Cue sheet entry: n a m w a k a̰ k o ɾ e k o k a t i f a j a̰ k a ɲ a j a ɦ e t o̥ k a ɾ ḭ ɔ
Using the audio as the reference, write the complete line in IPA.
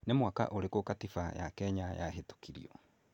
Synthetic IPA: n e m w a k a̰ ʔ o ɾ e k o k a t i f a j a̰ k ɛ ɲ a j a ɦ e t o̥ k i ɾ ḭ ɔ